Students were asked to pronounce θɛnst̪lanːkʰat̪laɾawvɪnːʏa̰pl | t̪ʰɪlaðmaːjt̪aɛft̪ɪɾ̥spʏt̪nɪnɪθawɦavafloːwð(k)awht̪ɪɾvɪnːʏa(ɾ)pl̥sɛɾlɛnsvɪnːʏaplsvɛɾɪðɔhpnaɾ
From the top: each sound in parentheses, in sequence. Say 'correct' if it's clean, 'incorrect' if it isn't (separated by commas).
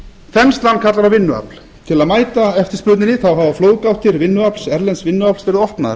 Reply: correct, incorrect